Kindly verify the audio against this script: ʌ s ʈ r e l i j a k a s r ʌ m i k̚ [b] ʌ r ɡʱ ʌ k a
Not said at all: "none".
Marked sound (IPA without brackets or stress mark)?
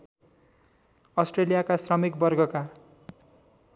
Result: b